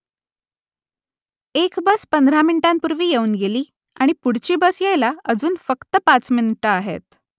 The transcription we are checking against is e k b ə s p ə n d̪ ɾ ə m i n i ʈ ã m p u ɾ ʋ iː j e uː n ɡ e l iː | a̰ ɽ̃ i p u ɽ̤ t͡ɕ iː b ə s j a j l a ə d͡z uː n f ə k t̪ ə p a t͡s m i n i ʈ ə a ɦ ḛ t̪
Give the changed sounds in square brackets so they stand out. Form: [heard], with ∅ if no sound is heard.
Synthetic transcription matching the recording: e k b ə s p ə n d̪ ɾ [a] m i n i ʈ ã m p u ɾ ʋ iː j e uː n ɡ e l iː | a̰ ɽ̃ i p u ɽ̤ t͡ɕ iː b ə s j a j l a ə d͡z uː n f ə k t̪ ə p a t͡s m i n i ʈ ə a ɦ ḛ t̪